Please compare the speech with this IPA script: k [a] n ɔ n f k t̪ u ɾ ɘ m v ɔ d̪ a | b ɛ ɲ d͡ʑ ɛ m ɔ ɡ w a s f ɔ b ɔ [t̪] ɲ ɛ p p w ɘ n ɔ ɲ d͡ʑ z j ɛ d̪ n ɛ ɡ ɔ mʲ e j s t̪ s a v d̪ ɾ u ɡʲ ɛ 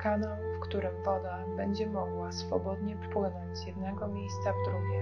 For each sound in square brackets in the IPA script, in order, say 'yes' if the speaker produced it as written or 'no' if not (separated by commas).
yes, no